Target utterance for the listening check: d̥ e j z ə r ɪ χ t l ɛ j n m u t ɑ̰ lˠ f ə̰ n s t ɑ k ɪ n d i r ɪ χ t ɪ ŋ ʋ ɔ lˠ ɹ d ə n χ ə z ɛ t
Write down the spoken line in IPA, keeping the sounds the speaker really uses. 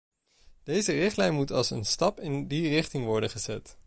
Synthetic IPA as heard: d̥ e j z ə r ɪ χ t l ɛ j n m u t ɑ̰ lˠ s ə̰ n s t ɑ p ɪ n d i r ɪ χ t ɪ ŋ ʋ ɔ ɹ d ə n χ ə z ɛ t